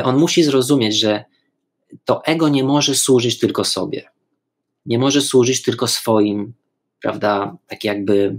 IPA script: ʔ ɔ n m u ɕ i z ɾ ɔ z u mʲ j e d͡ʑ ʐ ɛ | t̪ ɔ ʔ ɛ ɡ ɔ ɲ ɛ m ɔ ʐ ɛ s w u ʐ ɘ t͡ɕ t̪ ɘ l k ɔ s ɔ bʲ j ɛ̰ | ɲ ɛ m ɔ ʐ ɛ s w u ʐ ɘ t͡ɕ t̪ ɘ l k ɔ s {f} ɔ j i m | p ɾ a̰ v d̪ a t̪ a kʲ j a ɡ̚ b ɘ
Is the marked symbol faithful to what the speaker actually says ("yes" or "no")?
yes